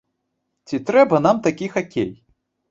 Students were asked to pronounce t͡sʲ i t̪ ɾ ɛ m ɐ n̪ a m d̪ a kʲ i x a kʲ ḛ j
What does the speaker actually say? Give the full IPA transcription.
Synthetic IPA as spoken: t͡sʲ i t̪ ɾ ɛ b ɐ n̪ a m t̪ a kʲ i x a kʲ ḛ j